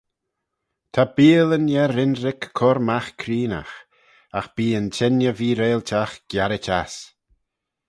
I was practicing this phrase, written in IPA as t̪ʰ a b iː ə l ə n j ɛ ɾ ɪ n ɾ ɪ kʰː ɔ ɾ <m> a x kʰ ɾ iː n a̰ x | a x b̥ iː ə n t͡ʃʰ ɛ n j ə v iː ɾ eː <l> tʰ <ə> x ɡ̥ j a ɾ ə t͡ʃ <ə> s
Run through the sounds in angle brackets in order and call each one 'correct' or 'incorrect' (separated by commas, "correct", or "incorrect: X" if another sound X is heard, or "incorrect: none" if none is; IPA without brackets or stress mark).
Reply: correct, correct, incorrect: a, incorrect: a